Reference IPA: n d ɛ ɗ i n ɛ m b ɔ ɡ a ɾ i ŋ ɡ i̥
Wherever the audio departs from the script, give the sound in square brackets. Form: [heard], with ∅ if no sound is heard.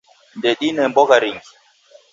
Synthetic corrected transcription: n d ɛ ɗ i n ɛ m b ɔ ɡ a ɾ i ŋ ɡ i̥